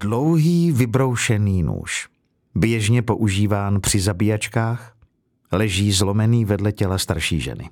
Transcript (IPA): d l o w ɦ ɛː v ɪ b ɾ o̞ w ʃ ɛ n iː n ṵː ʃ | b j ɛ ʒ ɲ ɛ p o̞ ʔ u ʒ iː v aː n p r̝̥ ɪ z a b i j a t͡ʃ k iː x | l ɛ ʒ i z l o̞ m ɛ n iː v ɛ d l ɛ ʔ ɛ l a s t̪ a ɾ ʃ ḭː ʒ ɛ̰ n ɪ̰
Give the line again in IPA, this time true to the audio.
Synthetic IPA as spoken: d l o w ɦ iː v ɪ b ɾ o̞ w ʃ ɛ n iː n ṵː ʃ | b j ɛ ʒ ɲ ɛ p o̞ ʔ u ʒ iː v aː n p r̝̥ ɪ z a b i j a t͡ʃ k aː x | l ɛ ʒ iː z l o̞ m ɛ n iː v ɛ d l ɛ c ɛ l a s t̪ a ɾ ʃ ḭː ʒ ɛ̰ n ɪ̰